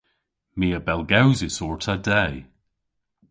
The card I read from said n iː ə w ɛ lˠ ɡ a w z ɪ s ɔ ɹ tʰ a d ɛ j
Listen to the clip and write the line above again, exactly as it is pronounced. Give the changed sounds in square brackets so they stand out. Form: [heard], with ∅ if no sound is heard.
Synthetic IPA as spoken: [m] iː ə [b] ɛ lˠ ɡ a w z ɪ s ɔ ɹ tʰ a d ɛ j